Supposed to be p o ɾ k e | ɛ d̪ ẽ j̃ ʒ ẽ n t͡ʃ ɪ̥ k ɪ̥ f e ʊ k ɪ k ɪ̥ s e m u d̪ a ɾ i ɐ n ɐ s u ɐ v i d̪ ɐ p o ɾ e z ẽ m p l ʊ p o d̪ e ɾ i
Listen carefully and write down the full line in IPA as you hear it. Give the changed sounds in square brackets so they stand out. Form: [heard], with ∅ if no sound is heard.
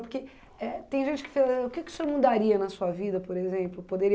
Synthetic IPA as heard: p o ɾ k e | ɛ [t̪] ẽ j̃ ʒ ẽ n t͡ʃ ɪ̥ k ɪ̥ f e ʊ k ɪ k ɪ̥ s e m u d̪ a ɾ i ɐ n ɐ s u ɐ v i d̪ ɐ p o ɾ e z ẽ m p l ʊ p o d̪ e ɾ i